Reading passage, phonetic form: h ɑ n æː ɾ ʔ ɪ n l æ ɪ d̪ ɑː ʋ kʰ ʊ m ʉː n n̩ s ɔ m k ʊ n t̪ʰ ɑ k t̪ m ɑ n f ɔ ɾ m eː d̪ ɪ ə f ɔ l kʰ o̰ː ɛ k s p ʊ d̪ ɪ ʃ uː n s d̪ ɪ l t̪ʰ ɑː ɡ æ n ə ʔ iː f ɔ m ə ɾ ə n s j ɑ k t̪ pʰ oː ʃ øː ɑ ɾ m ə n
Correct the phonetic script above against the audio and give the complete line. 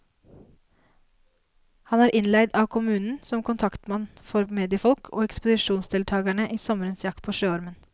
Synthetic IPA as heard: h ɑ n æː ɾ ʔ ɪ n l æ ɪ d̪ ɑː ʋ kʰ ʊ m ʉː n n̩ s ɔ m k ʊ n t̪ʰ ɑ k t̪ m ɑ n f ɔ ɾ m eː d̪ ɪ ə f ɔ l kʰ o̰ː ɛ k s p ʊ d̪ ɪ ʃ uː n s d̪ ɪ l t̪ʰ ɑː ɡ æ ɳ ə ʔ iː s ɔ m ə ɾ ə n s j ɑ k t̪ pʰ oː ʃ øː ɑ ɾ m ə n